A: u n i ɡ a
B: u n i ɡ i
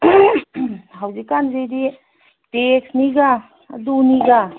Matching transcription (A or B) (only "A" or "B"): A